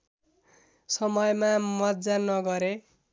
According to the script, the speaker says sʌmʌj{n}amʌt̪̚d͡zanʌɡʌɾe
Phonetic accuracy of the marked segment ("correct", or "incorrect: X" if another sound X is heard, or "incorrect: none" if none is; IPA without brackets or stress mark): incorrect: m